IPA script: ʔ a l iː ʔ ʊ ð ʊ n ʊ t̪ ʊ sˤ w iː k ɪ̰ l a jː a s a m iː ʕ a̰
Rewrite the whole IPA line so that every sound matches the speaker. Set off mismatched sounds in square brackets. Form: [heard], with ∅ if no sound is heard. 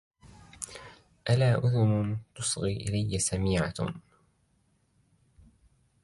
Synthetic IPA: ʔ a l [aː] ʔ ʊ ð ʊ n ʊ t̪ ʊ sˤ [ɣ] iː [ʔ] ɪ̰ l a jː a s a m iː ʕ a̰